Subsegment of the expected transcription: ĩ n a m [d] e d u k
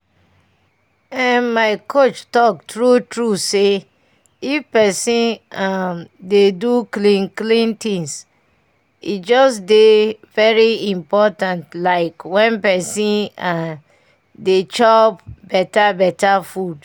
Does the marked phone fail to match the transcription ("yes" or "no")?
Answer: no